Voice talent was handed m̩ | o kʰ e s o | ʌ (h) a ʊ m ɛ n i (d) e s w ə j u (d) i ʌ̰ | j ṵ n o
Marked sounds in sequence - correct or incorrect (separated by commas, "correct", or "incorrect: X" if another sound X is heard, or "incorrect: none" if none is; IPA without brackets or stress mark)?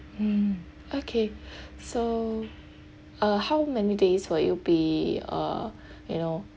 correct, correct, incorrect: b